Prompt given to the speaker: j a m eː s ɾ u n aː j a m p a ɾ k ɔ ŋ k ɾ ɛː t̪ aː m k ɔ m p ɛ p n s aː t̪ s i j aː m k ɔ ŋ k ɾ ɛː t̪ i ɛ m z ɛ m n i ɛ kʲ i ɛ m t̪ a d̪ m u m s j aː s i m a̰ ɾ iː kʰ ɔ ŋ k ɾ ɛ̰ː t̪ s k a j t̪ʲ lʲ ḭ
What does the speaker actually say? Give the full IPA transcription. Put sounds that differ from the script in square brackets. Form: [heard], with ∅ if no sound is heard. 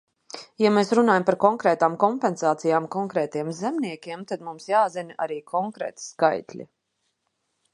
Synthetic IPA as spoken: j a m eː s ɾ u n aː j a m p a ɾ k ɔ ŋ k ɾ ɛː t̪ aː m k ɔ m p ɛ [∅] n s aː t̪ s i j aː m k ɔ ŋ k ɾ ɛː t̪ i ɛ m z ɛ m n i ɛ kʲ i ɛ m t̪ a d̪ m u m s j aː [z] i [n] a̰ ɾ iː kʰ ɔ ŋ k ɾ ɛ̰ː t̪ s k a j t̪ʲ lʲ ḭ